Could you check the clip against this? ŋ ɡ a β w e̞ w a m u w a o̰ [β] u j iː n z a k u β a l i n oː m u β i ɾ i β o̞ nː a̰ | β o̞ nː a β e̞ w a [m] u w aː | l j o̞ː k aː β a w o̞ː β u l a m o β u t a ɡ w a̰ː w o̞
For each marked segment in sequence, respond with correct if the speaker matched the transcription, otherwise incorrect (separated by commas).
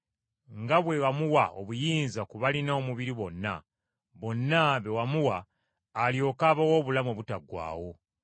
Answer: correct, correct